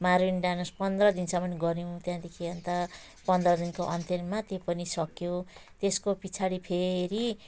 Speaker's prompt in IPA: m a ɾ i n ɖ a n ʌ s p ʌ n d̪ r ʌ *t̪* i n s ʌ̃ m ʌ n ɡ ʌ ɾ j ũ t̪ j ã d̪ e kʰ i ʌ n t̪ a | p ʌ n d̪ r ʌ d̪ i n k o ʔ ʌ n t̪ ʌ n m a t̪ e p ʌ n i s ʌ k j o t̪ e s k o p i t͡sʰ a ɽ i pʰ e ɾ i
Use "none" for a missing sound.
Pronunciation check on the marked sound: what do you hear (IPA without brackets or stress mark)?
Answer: d̪